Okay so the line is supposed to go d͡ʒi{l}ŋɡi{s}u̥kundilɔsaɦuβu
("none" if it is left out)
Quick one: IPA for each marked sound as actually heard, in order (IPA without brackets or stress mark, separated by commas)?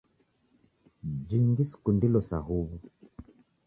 none, s